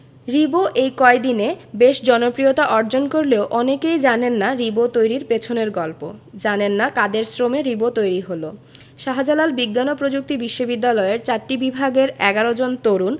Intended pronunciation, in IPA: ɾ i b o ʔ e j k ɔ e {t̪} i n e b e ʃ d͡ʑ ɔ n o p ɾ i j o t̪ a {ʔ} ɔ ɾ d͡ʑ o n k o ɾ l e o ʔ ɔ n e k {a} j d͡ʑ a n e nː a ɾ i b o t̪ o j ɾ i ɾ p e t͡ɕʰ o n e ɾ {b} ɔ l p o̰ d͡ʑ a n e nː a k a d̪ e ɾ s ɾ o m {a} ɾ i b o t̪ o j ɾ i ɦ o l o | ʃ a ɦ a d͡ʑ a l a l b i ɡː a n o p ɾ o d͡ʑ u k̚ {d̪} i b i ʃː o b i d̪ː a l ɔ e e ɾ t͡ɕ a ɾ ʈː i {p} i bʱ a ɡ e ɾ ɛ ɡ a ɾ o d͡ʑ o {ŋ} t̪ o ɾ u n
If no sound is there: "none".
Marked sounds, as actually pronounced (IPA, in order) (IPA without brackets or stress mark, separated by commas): d̪, ʔ, e, ɡ, e, t̪, b, n